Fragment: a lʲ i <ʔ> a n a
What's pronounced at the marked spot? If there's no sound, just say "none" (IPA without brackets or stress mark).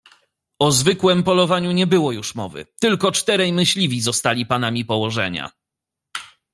p